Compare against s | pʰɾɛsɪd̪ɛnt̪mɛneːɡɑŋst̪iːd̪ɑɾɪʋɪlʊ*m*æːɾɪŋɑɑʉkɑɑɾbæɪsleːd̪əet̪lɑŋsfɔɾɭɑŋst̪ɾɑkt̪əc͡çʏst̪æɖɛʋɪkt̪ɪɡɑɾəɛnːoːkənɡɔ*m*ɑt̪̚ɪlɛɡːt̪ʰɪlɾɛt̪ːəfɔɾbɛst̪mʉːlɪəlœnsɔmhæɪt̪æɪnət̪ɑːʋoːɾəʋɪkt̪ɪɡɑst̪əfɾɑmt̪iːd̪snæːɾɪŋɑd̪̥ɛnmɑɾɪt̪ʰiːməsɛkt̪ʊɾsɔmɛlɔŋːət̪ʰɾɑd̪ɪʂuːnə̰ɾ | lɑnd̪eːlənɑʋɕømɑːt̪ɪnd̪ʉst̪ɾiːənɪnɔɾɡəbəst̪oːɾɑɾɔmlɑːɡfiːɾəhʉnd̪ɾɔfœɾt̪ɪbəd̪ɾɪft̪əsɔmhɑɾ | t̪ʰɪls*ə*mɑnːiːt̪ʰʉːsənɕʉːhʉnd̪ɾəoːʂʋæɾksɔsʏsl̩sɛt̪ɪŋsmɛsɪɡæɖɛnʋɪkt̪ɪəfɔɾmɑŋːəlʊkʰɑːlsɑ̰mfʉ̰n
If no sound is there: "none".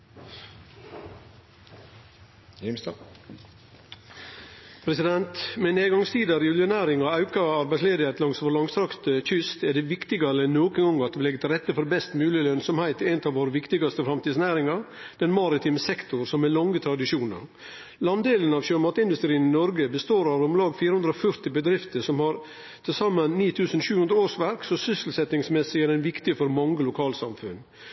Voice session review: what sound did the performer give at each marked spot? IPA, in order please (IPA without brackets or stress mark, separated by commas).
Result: n, ŋ, ɑ